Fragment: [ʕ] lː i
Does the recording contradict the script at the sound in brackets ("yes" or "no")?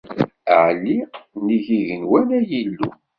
no